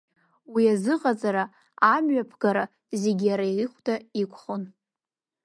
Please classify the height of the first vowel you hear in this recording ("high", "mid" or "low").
high